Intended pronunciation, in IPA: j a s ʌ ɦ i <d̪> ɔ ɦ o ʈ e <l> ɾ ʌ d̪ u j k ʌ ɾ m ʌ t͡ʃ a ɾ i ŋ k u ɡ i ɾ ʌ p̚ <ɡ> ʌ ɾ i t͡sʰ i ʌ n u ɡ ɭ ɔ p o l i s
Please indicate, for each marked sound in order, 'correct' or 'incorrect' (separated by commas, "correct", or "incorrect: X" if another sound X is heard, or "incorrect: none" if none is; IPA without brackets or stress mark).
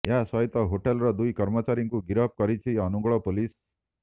incorrect: t̪, correct, incorrect: k